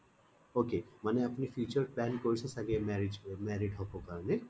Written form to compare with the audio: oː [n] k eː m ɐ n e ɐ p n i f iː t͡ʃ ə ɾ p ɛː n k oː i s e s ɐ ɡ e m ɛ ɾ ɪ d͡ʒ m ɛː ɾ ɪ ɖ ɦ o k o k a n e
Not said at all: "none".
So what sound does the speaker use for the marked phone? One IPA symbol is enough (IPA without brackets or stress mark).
none